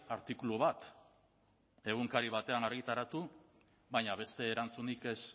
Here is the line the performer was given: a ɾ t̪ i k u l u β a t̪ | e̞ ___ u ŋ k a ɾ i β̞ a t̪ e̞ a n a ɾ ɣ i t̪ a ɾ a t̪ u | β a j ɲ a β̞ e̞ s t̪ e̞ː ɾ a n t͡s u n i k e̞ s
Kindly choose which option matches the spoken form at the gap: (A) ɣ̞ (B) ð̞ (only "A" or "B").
A